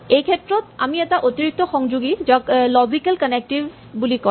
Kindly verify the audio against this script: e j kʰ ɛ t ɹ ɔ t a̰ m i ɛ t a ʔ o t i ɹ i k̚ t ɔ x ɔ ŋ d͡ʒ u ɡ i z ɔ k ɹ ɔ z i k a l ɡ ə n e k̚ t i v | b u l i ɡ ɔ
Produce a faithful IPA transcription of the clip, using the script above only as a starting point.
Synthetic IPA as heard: e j kʰ ɛ t ɹ ɔ t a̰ m i ɛ t a ʔ o t i ɹ i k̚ t ɔ x ɔ ŋ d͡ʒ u ɡ i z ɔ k l ɔ z i k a l k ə n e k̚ t i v | b u l i k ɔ

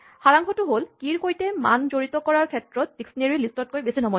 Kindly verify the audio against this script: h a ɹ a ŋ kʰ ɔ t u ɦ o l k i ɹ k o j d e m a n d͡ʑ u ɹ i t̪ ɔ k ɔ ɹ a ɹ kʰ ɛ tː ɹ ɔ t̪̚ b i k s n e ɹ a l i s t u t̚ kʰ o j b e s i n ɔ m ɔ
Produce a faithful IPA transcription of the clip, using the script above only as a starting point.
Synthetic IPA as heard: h a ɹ a ŋ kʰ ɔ t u ɦ o l k i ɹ k o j t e m a n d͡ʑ o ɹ i t̪ ɔ k ɔ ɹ a ɹ kʰ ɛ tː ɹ ɔ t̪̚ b i k s n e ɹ i l i s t ɔ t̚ k o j b e s i n ɔ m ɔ

